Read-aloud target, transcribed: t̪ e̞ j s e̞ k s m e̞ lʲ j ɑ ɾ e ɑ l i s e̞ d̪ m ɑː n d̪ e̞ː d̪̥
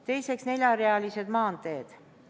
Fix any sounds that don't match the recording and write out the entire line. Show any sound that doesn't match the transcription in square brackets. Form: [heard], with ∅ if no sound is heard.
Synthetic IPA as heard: t̪ e̞ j s e̞ k s [n] e̞ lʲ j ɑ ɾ e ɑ l i s e̞ d̪ m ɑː n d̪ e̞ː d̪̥

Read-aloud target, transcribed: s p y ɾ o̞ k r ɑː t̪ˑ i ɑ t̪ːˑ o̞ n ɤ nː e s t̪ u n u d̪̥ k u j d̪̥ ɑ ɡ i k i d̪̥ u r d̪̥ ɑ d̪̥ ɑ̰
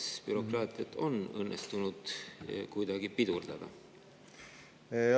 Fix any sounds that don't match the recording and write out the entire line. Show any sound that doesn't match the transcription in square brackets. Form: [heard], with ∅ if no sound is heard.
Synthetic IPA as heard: s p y ɾ o̞ k r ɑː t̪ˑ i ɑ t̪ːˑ o̞ n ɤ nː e s t̪ u n u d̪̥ k u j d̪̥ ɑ ɡ i [p] i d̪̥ u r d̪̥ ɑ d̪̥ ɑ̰

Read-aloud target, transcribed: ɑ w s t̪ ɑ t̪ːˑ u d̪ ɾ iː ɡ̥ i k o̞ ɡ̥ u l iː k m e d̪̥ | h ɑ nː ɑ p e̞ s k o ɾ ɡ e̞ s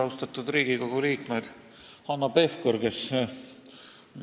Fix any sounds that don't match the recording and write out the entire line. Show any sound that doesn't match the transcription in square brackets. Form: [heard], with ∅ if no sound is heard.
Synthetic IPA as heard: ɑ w s t̪ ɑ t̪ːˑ u d̪ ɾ iː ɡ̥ i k o̞ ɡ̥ u l iː k m e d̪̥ | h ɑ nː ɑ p e̞ [f] k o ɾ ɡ e̞ s

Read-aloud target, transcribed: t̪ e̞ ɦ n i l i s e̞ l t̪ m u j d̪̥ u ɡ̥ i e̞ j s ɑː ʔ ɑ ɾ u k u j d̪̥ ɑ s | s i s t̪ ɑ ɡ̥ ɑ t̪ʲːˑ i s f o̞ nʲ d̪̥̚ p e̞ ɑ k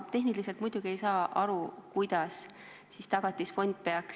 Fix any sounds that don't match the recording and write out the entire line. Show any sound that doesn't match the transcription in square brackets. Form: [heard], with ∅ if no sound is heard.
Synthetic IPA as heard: t̪ e̞ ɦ n i l i s e̞ l t̪ m u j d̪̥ u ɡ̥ i e̞ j s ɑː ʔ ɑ ɾ u k u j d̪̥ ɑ s | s i s t̪ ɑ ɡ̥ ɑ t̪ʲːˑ i s f o̞ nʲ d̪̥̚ p e̞ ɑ k

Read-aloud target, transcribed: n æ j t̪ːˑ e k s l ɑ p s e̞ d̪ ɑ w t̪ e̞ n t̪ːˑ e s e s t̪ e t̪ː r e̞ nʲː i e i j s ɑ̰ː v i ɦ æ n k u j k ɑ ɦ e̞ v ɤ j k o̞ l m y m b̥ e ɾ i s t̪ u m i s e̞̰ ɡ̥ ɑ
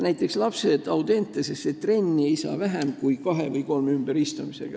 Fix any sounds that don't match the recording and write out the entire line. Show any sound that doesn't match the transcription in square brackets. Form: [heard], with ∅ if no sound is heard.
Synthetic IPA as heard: n æ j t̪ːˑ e k s l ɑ p s e̞ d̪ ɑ w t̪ e̞ n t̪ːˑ e s e s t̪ e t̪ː r e̞ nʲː i e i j s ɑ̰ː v [æ] ɦ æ [m] k u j k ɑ ɦ e̞ v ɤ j k o̞ l m y m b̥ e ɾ i s t̪ u m i s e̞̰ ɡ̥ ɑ

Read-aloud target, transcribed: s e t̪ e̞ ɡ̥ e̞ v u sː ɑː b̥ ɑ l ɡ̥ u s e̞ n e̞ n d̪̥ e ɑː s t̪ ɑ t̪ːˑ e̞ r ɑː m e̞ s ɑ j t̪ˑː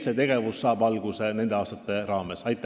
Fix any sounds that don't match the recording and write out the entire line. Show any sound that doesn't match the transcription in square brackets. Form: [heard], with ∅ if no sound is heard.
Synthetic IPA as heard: s e t̪ e̞ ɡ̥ e̞ v u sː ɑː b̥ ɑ l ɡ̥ u s e̞ n e̞ n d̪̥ e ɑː s t̪ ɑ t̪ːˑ e̞ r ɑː m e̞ s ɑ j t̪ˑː

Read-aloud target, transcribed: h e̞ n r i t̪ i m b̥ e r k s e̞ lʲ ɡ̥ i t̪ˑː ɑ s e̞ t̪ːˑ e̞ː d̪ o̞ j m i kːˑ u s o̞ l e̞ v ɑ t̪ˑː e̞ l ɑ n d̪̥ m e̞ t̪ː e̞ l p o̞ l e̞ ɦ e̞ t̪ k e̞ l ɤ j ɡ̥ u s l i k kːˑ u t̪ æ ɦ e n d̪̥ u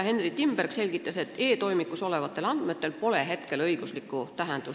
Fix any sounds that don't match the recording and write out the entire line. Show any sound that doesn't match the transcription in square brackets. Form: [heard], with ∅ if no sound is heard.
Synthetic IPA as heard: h e̞ n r i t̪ i m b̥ e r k s e̞ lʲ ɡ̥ i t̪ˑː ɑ s e̞ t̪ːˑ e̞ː [t̪] o̞ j m i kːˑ u s o̞ l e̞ v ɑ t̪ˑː e̞ l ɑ n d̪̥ m e̞ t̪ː e̞ l p o̞ l e̞ ɦ e̞ t̪ k e̞ l ɤ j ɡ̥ u s l i k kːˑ u t̪ æ ɦ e n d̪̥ u

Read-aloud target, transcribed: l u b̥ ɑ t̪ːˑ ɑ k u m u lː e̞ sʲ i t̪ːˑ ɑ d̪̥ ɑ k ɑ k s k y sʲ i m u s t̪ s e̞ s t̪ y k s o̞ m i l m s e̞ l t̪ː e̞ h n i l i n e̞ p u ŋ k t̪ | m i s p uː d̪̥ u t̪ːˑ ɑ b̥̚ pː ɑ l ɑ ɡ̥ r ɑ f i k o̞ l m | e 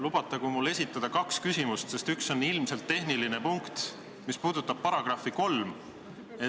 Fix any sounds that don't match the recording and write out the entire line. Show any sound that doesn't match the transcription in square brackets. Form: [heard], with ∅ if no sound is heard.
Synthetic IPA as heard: l u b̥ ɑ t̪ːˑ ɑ k u m u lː e̞ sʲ i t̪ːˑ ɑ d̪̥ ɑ k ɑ k s k y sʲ i m u s t̪ s e̞ s t̪ y k s o̞ [n] i l m s e̞ l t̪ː e̞ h n i l i n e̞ p u ŋ k t̪ | m i s p uː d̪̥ u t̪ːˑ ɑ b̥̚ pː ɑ [ɾ] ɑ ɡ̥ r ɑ f i k o̞ l m | e

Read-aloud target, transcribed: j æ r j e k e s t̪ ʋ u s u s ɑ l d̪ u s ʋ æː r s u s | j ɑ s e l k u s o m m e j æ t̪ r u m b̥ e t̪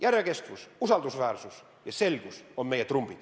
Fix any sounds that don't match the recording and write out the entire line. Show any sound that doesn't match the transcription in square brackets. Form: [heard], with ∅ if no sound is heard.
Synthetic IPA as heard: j æ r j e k e s t̪ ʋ u s u s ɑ l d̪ u s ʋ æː r s u s | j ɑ s e l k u s o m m e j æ t̪ r u m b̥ [i] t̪

